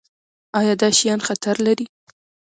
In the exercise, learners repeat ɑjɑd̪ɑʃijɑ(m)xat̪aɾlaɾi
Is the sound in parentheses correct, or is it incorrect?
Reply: incorrect